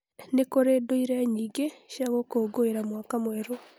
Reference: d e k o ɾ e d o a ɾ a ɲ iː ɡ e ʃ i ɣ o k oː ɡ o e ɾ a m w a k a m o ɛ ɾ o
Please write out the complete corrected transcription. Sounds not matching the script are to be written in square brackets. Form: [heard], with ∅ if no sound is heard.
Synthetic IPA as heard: [n] e k o ɾ e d o [i] ɾ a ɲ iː ɡ e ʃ [a] ɣ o k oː ɡ o e ɾ a m w a k a m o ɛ ɾ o